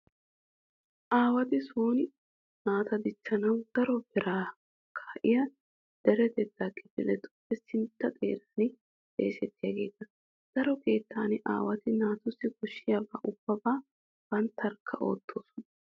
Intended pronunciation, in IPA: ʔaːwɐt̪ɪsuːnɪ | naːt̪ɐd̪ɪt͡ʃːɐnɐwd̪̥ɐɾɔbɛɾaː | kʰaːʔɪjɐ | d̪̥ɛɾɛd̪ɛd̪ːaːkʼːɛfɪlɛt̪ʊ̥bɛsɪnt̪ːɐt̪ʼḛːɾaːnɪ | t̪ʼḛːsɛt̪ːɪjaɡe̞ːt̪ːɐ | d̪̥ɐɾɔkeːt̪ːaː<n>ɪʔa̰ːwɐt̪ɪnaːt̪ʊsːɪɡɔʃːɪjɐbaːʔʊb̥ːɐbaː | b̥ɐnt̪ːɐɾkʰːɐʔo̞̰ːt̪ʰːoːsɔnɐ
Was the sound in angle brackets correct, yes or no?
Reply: yes